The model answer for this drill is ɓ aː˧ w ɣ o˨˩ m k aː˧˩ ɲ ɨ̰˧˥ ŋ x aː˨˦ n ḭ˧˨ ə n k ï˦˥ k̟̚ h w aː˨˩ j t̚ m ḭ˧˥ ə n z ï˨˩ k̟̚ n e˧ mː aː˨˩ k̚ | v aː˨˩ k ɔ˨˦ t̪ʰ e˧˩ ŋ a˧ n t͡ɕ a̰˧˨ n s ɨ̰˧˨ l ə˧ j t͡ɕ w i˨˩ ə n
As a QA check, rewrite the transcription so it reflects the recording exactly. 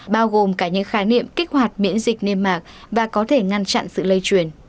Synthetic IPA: ɓ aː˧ w ɣ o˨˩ m k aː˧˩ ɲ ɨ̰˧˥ ŋ x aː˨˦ n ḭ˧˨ ə m k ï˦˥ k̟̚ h w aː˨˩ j t̚ m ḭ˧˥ ə n z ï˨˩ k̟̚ n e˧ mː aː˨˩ k̚ | v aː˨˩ k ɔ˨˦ t̪ʰ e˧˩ ŋ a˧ n t͡ɕ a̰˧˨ n s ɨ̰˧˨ l ə˧ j t͡ɕ w i˨˩ ə n